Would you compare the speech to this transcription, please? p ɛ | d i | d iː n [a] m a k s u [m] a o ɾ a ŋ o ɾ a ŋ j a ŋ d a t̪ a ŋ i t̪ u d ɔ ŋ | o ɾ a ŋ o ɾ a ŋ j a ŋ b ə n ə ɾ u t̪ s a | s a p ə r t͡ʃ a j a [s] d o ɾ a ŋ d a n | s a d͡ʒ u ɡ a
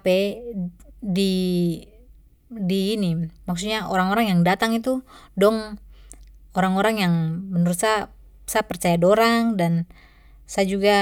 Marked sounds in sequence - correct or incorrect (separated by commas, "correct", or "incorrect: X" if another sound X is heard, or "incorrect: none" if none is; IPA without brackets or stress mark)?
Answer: incorrect: i, incorrect: ɲ, incorrect: none